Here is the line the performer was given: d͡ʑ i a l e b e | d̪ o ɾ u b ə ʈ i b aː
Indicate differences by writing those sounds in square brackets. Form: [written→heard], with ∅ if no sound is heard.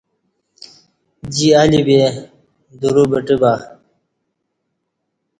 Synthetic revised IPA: d͡ʑ i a l [e→i] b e | d̪ [o→u] ɾ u b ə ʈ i b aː